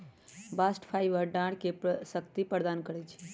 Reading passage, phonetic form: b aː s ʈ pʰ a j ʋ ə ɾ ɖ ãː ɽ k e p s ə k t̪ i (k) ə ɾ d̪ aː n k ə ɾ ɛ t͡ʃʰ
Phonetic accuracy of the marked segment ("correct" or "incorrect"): incorrect